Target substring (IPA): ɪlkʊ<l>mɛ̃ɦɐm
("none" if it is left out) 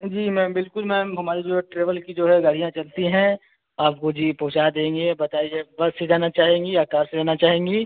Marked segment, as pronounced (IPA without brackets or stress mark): l